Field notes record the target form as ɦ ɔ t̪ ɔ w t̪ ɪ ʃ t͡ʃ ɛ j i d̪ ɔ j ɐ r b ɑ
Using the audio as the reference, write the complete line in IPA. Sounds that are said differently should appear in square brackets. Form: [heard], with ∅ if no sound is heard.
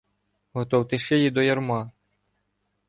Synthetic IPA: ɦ ɔ t̪ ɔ w t̪ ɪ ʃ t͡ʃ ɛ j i d̪ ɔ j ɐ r [m] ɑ